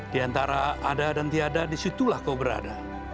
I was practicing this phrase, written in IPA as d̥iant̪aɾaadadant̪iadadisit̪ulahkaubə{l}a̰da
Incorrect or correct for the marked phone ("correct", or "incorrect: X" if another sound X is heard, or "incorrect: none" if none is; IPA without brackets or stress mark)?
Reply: incorrect: ɾ